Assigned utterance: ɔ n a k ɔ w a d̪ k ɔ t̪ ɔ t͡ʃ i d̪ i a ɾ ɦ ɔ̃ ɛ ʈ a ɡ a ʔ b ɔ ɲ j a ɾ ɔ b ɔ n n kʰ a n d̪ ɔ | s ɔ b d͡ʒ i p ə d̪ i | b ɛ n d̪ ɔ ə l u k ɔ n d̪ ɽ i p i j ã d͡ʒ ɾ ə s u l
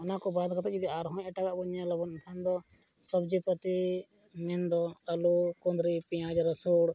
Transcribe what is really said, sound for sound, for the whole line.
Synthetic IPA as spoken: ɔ n a k ɔ b a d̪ k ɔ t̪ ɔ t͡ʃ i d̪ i a ɾ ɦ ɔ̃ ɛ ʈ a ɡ a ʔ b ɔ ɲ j a l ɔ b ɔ n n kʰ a n d̪ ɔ | s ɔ b d͡ʒ i p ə t̪ i | m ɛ n d̪ ɔ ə l u k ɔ n d̪ ɾ i p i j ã d͡ʒ ɾ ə s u ɽ